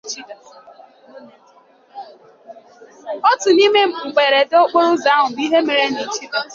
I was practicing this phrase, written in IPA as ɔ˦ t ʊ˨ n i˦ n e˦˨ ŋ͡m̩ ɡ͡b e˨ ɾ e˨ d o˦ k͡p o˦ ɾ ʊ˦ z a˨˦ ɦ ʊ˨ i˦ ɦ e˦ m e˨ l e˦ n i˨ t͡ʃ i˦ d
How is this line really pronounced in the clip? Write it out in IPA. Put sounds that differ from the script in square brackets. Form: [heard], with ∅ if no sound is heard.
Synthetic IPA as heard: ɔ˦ t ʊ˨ n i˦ [m] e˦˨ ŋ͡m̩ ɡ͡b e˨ ɾ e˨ d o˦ k͡p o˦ ɾ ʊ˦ z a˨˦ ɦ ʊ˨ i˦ ɦ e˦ m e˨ [ɾ] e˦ n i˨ t͡ʃ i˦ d